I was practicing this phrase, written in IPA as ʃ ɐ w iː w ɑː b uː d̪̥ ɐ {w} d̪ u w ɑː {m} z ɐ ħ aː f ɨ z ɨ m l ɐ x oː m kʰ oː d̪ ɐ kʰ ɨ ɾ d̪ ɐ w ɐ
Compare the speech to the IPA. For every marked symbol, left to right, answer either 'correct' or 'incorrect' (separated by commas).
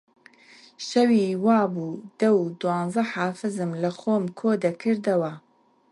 correct, incorrect